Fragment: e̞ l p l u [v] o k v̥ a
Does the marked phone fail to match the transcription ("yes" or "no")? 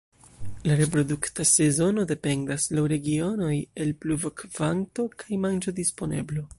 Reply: no